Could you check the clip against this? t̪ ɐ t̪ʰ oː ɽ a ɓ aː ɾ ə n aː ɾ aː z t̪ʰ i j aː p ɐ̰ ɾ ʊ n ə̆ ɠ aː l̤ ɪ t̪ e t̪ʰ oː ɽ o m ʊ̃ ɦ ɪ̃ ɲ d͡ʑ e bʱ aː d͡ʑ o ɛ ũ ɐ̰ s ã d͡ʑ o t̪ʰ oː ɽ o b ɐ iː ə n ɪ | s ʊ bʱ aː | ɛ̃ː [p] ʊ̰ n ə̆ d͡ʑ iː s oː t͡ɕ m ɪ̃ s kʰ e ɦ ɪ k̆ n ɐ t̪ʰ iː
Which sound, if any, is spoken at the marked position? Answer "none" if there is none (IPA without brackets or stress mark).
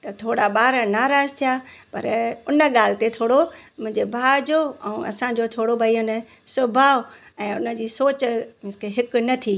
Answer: none